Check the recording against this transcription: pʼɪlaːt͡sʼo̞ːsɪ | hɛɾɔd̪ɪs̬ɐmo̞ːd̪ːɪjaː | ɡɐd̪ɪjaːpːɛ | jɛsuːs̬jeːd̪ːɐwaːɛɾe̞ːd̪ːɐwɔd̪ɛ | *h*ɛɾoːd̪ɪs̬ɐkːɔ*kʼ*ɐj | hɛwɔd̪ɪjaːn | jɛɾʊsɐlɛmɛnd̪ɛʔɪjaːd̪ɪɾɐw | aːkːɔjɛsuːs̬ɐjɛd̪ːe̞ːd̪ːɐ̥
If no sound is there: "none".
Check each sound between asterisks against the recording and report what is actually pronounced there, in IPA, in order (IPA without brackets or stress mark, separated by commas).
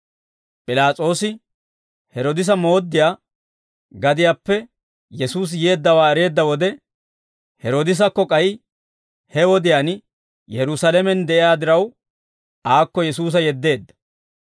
h, kʼ